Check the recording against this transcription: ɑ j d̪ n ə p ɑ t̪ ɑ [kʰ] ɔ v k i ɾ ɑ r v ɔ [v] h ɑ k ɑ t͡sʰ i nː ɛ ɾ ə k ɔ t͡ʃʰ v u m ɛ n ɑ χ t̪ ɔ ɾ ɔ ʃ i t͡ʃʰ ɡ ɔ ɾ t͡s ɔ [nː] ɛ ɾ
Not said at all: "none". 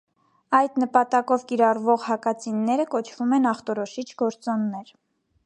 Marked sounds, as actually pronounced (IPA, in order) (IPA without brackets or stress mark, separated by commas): k, ʁ, nː